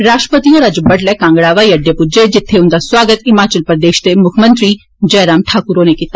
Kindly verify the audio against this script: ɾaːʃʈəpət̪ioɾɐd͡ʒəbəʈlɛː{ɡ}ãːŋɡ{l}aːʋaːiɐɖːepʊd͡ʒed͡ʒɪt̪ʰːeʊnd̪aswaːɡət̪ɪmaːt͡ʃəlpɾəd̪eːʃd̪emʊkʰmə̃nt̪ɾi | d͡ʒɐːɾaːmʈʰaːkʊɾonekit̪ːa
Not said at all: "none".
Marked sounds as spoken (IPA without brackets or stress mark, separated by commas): k, ɽ